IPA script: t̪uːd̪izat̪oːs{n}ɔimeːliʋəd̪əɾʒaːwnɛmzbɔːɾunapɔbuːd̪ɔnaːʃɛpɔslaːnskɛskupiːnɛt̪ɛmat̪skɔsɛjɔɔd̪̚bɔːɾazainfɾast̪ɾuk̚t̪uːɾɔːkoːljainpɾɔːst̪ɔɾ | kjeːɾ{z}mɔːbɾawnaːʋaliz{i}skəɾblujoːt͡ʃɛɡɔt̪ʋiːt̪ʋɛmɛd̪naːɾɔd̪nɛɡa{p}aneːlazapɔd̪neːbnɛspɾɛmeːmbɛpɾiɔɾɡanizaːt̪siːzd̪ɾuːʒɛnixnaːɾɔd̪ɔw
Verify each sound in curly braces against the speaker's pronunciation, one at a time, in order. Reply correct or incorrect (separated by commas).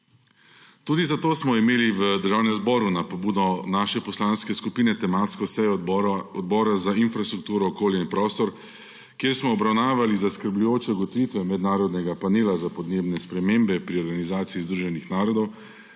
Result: incorrect, incorrect, incorrect, correct